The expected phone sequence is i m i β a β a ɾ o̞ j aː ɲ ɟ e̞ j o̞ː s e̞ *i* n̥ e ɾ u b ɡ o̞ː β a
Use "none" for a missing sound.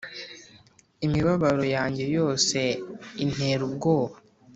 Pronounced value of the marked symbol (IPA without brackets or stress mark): i